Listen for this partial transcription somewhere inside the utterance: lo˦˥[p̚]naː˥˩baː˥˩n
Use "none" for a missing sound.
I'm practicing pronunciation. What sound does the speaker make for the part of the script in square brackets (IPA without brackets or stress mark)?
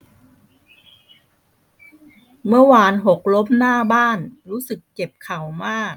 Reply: p̚